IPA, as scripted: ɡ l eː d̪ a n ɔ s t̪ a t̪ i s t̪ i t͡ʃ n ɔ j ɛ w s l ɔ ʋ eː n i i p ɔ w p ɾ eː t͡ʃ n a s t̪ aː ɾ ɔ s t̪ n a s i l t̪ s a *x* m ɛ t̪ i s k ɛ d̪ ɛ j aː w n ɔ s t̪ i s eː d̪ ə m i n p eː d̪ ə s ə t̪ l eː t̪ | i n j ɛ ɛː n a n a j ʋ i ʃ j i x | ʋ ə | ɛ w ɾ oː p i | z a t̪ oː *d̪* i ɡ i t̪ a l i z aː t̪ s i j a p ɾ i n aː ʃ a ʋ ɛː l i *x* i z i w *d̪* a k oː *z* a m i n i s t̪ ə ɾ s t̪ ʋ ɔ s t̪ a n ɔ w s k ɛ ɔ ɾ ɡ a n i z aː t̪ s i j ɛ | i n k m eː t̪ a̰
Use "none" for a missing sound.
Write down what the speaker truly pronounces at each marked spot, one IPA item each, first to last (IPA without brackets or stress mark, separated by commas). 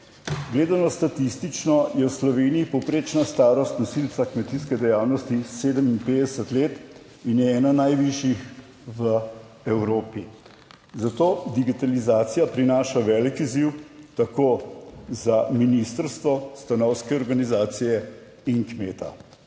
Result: k, d̪, k, t̪, z